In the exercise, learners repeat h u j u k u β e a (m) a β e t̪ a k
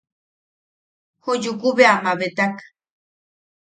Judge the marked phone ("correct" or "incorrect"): correct